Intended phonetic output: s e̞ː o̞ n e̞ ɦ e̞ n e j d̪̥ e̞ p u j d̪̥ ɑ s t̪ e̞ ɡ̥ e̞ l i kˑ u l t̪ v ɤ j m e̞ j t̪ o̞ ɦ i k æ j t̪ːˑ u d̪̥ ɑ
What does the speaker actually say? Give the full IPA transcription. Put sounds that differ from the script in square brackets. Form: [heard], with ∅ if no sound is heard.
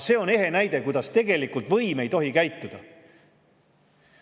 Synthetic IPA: s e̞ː o̞ n e̞ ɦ e̞ n [æ] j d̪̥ e̞ [k] u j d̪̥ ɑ s t̪ e̞ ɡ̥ e̞ l i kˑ u l t̪ v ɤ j m e̞ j t̪ o̞ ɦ i k æ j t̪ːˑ u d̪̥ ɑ